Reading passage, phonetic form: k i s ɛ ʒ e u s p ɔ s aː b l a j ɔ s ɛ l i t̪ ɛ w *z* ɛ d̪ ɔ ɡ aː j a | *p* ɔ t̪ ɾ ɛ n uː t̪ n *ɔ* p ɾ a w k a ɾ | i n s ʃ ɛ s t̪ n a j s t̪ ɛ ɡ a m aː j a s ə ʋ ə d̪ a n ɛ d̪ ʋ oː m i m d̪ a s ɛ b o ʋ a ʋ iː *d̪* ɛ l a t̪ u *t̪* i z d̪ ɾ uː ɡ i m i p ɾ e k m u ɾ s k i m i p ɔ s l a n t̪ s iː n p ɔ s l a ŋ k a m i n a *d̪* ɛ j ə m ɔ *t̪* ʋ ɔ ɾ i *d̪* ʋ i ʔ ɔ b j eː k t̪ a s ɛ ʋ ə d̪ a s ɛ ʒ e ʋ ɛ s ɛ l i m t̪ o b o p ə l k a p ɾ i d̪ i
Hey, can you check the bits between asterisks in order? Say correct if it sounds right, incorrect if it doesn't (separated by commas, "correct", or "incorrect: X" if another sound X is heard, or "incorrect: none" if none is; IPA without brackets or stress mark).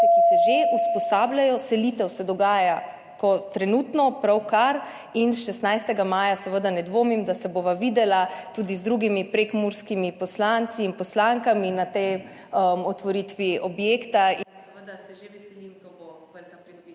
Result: incorrect: s, incorrect: k, correct, correct, incorrect: d̪, incorrect: t̪, correct, incorrect: t̪